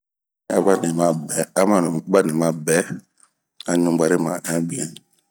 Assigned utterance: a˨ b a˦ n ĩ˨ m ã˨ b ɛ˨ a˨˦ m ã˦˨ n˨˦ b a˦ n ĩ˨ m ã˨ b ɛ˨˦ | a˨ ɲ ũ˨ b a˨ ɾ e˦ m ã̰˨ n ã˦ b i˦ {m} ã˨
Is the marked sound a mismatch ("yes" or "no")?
yes